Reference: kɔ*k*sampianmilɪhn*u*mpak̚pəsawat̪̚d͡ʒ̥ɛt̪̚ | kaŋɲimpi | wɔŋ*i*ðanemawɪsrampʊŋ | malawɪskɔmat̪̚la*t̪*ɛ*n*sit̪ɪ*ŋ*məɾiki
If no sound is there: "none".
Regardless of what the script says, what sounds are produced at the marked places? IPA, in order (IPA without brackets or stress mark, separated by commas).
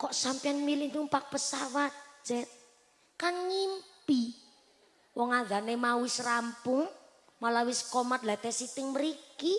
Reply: ʔ, u, a, t̪, none, ŋ